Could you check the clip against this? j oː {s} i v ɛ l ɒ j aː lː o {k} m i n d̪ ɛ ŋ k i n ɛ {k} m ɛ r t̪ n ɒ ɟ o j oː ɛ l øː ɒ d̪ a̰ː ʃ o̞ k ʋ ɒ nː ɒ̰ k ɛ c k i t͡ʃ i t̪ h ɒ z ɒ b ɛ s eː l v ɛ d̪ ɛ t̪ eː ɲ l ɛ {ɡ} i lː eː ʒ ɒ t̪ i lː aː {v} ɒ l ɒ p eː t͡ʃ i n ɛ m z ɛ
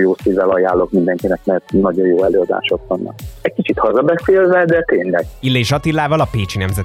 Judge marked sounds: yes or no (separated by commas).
yes, yes, yes, yes, yes